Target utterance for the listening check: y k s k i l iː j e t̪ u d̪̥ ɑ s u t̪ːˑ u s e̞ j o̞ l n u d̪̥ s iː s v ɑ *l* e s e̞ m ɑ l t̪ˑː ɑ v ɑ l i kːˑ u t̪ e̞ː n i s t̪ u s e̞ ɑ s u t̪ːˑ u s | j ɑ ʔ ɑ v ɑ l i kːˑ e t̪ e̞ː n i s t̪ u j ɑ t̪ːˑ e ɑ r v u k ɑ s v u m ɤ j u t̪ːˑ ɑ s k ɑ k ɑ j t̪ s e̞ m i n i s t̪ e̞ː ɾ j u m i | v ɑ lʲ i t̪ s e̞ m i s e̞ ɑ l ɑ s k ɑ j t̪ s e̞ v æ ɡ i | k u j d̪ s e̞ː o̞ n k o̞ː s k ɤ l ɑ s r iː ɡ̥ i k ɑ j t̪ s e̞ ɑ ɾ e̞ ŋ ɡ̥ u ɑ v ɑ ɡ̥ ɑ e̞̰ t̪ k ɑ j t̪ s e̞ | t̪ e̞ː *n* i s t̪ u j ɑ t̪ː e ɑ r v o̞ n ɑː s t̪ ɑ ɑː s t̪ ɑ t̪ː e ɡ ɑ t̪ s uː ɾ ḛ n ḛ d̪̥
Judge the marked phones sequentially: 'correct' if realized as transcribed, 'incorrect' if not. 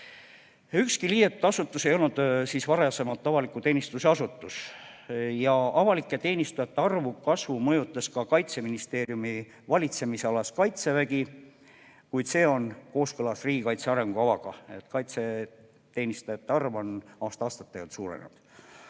incorrect: ɾ, correct

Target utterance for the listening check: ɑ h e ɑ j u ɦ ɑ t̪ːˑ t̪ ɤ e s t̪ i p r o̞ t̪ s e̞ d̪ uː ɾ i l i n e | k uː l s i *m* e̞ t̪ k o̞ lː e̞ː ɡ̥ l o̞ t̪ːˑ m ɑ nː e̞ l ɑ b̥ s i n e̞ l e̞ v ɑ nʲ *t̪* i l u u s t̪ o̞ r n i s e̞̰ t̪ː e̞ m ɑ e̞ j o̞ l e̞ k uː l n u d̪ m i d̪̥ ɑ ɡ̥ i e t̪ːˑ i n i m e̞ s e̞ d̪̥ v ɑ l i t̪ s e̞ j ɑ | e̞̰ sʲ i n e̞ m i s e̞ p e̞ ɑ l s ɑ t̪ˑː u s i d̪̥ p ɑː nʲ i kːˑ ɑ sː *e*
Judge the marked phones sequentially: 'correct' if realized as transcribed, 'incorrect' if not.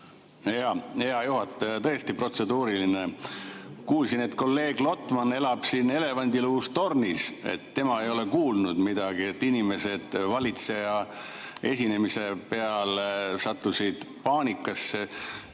incorrect: n, incorrect: d̪, correct

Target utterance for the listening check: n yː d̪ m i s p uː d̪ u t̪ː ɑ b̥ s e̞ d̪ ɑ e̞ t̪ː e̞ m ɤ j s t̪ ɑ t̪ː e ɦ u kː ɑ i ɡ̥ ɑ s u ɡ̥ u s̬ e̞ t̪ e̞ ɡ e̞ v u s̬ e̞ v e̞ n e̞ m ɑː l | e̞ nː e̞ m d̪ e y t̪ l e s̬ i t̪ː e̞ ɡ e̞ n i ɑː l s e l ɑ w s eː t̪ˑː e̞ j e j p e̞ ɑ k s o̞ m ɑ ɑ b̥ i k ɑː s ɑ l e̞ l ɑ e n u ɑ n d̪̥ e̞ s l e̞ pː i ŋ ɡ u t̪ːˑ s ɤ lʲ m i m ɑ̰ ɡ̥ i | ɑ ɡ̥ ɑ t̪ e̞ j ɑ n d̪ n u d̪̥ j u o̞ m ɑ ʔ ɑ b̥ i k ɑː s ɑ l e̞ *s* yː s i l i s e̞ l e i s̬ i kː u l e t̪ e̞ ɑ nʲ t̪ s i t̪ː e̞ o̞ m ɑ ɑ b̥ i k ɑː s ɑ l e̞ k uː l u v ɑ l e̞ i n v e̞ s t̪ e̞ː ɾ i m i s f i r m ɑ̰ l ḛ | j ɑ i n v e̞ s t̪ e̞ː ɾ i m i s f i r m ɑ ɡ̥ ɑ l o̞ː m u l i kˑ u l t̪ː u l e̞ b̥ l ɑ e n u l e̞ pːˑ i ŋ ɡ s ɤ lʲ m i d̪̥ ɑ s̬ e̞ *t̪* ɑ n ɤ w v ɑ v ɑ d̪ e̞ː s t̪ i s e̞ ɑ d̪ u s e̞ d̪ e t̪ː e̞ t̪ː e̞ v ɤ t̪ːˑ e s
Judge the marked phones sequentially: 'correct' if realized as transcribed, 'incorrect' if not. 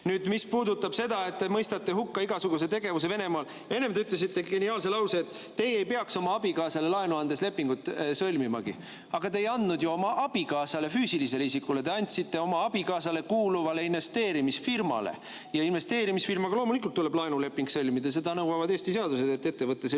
incorrect: f, incorrect: d̪

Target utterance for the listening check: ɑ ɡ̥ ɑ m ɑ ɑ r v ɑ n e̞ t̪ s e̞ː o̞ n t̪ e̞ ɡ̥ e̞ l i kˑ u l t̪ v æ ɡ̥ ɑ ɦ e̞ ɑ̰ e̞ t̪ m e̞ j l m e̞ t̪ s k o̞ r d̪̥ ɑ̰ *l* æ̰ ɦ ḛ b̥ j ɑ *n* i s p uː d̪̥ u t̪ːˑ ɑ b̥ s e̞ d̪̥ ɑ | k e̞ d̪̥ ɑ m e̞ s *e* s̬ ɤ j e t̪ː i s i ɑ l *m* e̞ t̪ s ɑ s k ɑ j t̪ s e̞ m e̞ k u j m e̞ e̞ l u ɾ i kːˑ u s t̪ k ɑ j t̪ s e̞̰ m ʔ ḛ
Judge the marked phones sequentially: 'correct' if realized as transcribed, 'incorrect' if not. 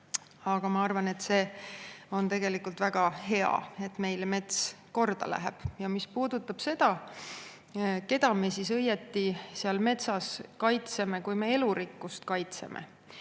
correct, incorrect: m, incorrect: i, correct

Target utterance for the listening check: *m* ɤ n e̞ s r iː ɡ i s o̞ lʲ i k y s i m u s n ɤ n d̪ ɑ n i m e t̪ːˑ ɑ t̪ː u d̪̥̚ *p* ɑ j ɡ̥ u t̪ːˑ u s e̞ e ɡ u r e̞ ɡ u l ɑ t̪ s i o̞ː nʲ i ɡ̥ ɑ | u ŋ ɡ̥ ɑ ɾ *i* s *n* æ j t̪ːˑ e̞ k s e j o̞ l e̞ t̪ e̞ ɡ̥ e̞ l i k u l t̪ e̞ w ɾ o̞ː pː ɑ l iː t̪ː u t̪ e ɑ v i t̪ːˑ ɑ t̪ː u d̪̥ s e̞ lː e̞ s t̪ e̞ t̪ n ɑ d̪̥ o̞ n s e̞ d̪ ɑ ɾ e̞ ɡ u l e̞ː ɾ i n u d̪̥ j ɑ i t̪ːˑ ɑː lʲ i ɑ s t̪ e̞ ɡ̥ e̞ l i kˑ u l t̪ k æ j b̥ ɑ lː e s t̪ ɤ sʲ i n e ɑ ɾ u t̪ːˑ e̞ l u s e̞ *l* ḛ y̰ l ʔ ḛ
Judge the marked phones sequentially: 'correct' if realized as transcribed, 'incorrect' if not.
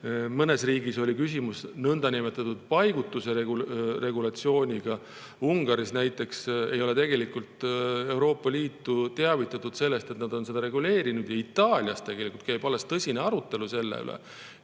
correct, correct, correct, correct, incorrect: lː

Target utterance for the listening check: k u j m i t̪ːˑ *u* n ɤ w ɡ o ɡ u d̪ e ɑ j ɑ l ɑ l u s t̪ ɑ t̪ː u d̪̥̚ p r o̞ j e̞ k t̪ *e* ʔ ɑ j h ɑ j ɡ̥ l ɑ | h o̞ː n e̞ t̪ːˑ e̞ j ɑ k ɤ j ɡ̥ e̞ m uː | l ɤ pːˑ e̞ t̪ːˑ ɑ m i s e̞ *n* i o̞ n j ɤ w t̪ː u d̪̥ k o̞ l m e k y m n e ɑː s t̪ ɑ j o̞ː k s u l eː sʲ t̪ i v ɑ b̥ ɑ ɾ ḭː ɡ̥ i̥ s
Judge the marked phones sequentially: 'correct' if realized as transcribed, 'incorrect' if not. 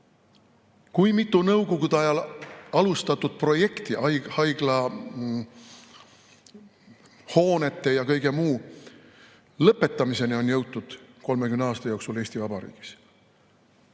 correct, incorrect: i, correct

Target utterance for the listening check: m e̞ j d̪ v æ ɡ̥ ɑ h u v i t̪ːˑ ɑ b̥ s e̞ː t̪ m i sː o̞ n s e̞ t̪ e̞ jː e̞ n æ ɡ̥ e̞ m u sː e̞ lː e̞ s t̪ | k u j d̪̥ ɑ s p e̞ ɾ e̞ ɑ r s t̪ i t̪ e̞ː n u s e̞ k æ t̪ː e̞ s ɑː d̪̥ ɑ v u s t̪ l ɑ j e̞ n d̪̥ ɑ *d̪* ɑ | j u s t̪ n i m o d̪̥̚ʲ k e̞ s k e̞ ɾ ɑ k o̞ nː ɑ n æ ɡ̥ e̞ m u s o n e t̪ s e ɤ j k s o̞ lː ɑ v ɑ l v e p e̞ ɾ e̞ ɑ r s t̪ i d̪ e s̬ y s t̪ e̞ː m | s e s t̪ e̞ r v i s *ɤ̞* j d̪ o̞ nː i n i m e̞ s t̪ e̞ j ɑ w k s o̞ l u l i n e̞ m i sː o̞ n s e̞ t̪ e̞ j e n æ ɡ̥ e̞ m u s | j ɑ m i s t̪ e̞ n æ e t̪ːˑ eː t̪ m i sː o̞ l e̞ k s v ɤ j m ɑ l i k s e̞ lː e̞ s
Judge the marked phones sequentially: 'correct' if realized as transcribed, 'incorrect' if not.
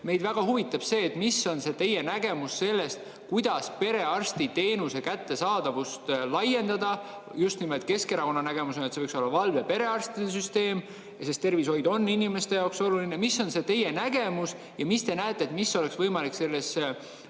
correct, incorrect: o̞

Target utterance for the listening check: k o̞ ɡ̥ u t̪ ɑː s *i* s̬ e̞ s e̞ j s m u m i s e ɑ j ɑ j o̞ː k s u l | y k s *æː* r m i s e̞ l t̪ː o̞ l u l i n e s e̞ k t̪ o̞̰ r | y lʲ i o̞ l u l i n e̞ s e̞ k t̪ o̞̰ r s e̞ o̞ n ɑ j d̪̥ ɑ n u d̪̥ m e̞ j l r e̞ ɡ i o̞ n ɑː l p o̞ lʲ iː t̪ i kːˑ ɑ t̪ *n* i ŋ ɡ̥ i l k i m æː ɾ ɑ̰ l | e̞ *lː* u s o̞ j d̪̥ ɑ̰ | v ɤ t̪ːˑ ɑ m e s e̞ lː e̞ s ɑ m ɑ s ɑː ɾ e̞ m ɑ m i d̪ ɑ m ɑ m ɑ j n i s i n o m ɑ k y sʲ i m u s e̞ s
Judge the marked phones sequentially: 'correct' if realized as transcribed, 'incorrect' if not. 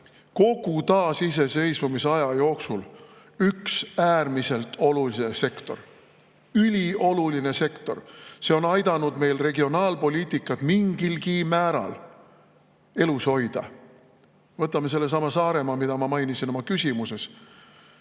correct, correct, incorrect: m, incorrect: l

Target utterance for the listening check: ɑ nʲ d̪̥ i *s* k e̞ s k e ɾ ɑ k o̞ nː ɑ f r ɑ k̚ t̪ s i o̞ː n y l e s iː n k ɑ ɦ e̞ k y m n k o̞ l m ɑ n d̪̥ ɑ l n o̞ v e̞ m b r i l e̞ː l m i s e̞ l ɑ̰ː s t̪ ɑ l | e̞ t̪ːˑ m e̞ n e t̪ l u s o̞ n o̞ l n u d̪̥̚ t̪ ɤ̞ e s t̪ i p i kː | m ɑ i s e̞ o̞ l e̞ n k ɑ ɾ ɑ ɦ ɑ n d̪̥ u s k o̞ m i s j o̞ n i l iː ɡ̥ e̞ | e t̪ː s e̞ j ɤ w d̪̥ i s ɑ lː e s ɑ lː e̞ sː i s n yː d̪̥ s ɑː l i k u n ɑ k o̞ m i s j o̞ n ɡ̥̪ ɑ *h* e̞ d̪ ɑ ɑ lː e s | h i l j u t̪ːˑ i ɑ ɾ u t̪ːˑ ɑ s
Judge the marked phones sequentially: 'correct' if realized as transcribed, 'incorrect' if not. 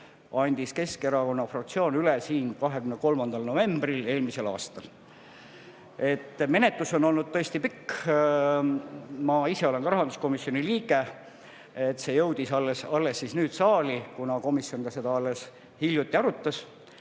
correct, incorrect: s

